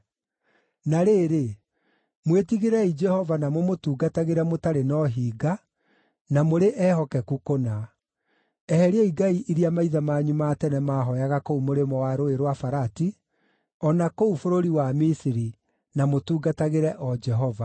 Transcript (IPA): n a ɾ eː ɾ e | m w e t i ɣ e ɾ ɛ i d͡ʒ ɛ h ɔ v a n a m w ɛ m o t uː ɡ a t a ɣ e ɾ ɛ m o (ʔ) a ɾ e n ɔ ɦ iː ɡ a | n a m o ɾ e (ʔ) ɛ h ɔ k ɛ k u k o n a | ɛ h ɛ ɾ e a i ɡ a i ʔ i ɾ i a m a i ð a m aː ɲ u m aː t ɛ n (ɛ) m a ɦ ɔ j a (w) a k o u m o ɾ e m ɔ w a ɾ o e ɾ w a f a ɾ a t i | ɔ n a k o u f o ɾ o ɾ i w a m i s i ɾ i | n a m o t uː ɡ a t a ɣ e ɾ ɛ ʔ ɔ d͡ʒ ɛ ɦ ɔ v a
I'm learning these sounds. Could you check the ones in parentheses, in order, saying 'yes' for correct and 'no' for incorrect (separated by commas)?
no, yes, yes, no